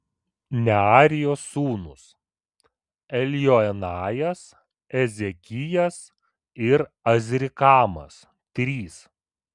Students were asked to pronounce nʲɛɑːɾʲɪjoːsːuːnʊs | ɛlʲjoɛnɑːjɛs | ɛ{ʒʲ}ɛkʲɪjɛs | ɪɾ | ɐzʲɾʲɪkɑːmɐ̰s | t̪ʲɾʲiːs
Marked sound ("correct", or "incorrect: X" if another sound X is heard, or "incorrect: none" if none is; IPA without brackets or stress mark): incorrect: zʲ